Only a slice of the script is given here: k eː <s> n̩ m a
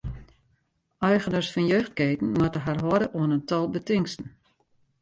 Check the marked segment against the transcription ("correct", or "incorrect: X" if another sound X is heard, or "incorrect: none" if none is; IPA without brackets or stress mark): incorrect: t